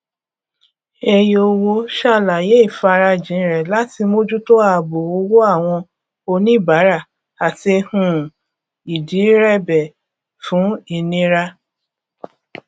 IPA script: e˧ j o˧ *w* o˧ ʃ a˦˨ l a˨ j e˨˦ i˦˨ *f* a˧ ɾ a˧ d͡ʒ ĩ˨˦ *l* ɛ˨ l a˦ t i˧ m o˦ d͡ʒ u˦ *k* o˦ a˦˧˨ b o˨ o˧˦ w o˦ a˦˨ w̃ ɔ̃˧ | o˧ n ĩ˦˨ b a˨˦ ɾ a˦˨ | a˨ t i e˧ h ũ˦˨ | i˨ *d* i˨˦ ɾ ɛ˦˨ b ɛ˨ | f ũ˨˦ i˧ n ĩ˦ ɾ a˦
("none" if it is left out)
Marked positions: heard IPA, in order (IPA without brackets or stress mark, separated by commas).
w, f, ɾ, t, d